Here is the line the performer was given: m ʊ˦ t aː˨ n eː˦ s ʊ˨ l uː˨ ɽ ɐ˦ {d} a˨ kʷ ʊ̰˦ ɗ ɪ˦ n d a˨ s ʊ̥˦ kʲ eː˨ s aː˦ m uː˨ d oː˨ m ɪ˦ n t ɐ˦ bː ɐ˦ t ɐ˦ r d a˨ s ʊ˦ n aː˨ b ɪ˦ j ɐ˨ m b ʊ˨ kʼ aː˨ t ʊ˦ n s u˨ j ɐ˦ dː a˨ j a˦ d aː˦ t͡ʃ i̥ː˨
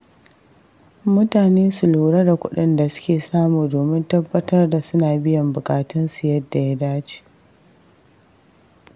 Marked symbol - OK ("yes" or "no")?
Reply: yes